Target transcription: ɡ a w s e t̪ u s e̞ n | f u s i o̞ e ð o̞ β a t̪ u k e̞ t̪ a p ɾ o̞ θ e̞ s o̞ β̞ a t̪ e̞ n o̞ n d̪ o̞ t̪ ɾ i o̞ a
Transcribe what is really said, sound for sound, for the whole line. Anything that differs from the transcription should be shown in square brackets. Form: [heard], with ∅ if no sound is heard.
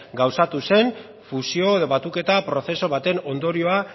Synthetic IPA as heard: ɡ a w s [a] t̪ u s e̞ n | f u s i o̞ e ð o̞ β a t̪ u k e̞ t̪ a p ɾ o̞ θ e̞ s o̞ β̞ a t̪ e̞ n o̞ n d̪ o̞ [∅] ɾ i o̞ a